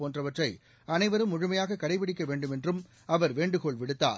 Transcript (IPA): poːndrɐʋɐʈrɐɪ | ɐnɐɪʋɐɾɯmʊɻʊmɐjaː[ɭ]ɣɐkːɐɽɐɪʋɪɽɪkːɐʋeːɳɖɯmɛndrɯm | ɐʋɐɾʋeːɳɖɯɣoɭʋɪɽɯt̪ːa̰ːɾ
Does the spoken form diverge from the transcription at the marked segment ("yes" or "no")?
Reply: yes